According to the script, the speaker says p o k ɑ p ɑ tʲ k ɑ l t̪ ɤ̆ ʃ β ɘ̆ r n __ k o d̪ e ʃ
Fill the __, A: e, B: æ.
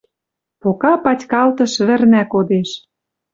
B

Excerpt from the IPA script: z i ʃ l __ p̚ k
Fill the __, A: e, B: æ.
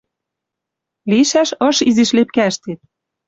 A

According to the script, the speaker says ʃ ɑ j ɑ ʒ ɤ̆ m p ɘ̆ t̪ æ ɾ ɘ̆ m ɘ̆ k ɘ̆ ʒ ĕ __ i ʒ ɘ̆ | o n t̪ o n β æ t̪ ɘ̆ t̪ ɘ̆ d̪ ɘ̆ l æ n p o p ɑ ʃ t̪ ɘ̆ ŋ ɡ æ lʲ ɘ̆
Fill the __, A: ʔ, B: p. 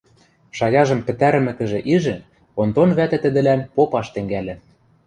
A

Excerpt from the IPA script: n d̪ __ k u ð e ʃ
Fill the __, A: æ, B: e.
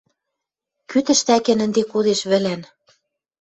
B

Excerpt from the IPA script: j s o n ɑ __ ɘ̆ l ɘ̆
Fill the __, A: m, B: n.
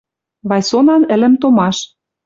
B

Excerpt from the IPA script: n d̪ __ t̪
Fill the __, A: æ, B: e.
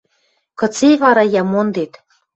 B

